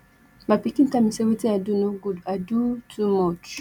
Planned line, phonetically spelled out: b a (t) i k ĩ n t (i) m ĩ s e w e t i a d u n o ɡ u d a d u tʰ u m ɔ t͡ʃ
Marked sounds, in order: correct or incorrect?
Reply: incorrect: p, incorrect: a

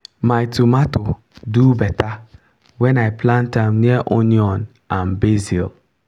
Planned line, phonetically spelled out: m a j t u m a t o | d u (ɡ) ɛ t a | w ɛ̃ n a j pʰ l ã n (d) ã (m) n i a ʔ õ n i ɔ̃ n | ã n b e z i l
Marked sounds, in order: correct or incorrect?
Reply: incorrect: b, incorrect: t, correct

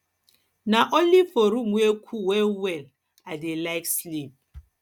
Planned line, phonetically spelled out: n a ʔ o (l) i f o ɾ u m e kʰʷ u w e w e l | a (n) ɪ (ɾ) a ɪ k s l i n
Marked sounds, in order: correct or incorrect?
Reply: correct, incorrect: d, incorrect: l

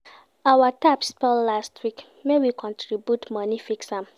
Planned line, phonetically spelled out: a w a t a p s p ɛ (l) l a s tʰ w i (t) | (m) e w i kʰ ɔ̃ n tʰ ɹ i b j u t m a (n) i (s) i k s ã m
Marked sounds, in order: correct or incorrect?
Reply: correct, incorrect: k, correct, correct, incorrect: f

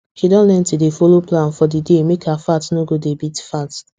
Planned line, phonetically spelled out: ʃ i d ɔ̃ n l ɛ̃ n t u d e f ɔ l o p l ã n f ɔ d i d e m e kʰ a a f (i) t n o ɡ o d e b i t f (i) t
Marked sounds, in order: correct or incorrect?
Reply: incorrect: a, incorrect: a

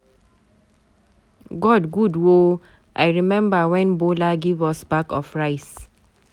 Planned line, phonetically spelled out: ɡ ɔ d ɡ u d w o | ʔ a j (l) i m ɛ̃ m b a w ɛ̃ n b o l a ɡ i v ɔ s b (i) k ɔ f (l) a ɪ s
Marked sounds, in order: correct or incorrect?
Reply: incorrect: ɹ, incorrect: a, incorrect: ɹ

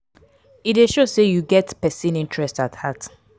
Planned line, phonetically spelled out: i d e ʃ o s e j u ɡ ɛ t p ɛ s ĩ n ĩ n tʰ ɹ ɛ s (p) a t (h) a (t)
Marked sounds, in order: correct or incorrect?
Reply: incorrect: t, correct, correct

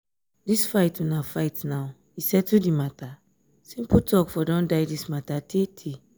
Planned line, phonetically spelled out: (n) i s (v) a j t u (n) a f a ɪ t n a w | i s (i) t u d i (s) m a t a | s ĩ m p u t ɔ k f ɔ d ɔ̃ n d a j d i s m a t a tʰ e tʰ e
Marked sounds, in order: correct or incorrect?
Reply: incorrect: d, incorrect: f, correct, incorrect: ɛ, incorrect: none

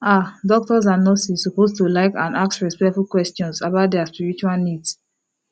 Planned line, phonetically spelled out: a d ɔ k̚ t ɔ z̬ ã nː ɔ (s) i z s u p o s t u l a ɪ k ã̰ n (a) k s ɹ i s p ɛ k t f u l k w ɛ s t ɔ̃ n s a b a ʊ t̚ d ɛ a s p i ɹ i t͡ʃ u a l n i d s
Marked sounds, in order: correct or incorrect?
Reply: correct, correct

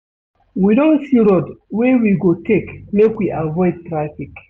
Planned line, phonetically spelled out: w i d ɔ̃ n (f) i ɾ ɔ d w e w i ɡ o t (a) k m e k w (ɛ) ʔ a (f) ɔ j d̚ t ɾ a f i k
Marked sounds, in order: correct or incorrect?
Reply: incorrect: s, incorrect: e, incorrect: i, incorrect: v

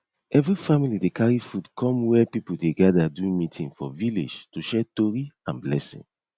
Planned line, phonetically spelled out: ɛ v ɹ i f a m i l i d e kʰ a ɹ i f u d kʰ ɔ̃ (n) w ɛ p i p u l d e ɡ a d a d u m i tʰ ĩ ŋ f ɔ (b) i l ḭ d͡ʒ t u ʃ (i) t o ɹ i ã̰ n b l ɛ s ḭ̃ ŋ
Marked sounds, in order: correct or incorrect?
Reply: incorrect: m, incorrect: v, incorrect: ɛ

